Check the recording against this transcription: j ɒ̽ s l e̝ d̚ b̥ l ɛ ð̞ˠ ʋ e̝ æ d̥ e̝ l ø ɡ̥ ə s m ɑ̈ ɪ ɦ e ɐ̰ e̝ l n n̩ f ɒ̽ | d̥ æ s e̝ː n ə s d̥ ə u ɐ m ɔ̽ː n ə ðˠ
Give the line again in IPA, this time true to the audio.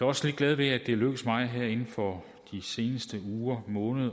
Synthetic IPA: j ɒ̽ s l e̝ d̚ ɡ̥ l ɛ ð̞ˠ ʋ e̝ æ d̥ e̝ l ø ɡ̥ ə s m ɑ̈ ɪ ɦ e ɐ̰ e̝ n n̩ f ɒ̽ | d̥ i s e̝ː n ə s d̥ ə uː ɐ m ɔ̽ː n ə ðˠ

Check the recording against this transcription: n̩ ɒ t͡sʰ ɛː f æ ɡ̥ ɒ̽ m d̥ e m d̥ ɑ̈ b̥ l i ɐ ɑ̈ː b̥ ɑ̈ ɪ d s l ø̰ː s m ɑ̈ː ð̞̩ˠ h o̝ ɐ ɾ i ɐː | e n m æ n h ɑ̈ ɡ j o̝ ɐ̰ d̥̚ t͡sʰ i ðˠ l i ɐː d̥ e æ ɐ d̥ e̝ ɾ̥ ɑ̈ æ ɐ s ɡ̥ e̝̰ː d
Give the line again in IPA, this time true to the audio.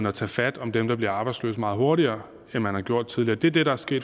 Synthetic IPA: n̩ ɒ t͡sʰ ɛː f æ d̥ ɒ̽ m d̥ e m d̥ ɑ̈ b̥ l i ɐ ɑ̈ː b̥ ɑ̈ ɪ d s l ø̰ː s m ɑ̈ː ð̞̩ˠ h o̝ ɐ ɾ i ɐː | e n m æ n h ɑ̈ ɡ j o̝ ɐ̰ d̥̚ t͡sʰ i ðˠ l i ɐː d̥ e æ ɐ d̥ e̝ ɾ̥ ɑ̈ æ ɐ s ɡ̥ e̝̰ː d

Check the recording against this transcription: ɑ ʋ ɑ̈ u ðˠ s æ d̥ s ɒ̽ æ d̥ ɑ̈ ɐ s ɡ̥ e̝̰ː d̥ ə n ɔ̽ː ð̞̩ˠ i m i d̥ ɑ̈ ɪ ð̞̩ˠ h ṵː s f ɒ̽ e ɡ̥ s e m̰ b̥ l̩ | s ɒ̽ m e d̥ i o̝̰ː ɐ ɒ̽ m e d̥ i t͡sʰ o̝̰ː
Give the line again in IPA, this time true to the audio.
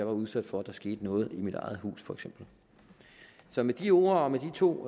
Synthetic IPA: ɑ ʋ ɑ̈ u ðˠ s æ d̥ f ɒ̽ æ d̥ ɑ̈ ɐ s ɡ̥ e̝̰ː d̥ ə n ɔ̽ː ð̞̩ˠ i m i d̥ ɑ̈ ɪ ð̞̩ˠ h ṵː s f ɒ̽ e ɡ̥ s e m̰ b̥ l̩ | s ɒ̽ m e d̥ i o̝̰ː ɐ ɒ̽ m e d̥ i t͡sʰ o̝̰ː

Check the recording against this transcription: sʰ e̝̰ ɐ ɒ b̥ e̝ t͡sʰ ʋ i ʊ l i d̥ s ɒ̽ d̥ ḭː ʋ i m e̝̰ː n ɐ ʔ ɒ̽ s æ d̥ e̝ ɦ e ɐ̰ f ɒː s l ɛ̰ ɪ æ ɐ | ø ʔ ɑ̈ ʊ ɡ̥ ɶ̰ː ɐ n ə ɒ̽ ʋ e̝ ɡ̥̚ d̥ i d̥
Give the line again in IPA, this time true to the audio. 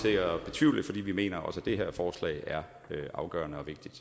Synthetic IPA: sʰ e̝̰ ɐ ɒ b̥ e̝ t͡sʰ ʋ i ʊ l i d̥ f ɒ̽ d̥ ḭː ʋ i m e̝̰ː n ɐ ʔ ɒ̽ s æ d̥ e̝ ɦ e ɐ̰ f ɒː s l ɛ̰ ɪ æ ɐ | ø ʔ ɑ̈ ʊ ɡ̥ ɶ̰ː ɐ n ə ɒ̽ ʋ e̝ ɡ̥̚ d̥ i d̥

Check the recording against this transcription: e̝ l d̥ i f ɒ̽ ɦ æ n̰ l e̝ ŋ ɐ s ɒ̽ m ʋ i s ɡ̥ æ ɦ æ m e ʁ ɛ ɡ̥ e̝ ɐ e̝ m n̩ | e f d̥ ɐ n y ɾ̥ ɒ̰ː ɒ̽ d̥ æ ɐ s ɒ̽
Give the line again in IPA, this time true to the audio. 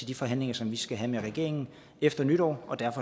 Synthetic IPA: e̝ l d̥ i f ɒ̽ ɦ æ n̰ l e̝ ŋ ɐ s ɒ̽ m ʋ i s ɡ̥ æ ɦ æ m e ʁ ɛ ɡ̥ e̝ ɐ e̝ ŋ n̩ | e f d̥ ɐ n y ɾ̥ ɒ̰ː ɒ̽ d̥ æ ɐ f ɒ̽

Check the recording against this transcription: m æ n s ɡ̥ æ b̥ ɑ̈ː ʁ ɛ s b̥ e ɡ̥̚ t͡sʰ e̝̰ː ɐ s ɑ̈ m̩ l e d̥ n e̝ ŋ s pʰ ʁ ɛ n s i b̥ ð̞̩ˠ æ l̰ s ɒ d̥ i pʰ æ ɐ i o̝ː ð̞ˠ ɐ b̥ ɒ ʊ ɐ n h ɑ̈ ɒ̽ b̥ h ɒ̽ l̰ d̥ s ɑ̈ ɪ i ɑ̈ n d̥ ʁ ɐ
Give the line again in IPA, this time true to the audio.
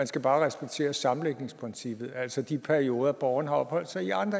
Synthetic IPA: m æ n s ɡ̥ æ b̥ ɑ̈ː ʁ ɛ s b̥ e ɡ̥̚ t͡sʰ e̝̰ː ɐ s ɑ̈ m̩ l e ɡ̥ n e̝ ŋ s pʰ ʁ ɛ n s i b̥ ð̞̩ˠ æ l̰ s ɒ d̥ i pʰ æ ɐ i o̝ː ð̞ˠ ɐ b̥ ɒ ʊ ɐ n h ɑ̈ ɒ̽ b̥ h ɒ̽ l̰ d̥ s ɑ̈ ɪ i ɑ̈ n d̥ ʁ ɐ

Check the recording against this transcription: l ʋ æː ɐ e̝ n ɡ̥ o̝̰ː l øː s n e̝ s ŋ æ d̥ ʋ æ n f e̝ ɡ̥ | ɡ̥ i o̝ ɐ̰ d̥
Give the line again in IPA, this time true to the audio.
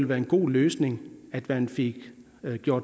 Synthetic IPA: l ʋ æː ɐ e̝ n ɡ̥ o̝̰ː l øː s n e̝ ŋ æ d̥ ʋ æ n f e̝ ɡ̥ | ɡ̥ j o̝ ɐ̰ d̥

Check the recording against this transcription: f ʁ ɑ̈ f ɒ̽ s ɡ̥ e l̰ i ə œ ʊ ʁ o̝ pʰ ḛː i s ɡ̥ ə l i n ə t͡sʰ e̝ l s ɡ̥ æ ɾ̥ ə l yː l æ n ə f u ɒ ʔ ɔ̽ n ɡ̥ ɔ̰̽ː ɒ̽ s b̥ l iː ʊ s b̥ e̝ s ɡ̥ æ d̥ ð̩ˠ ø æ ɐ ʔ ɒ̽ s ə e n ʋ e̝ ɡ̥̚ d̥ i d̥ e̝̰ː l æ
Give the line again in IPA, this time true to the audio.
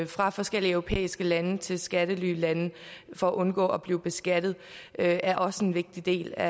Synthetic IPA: f ʁ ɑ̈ f ɒ̽ s ɡ̥ e l̰ i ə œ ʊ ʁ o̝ pʰ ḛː i s ɡ̥ ə l æ n ə t͡sʰ e̝ l s ɡ̥ æ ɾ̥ ə l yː l æ n ə f ɒ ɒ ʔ ɔ̽ n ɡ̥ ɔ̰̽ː ɒ̽ b̥ l iː ʊ b̥ e̝ s ɡ̥ æ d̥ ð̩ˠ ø æ ɐ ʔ ɒ̽ s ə e n ʋ e̝ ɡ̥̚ d̥ i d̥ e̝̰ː l æ

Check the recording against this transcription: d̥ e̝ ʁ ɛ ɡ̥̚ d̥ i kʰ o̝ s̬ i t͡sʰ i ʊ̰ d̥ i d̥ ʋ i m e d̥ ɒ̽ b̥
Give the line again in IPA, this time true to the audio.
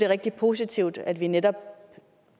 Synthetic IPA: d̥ e̝ ʁ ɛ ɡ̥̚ d̥ i pʰ o̝ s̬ i t͡sʰ i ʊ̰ d̥ æ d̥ ʋ i n e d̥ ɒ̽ b̥

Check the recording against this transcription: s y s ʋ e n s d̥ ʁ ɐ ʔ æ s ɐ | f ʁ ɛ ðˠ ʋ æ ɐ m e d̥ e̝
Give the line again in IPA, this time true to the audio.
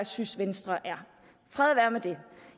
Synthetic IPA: s y s ʋ e n s d̥ ʁ ɐ ʔ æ ɐ | f ʁ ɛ ðˠ ʋ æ ɐ m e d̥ e̝

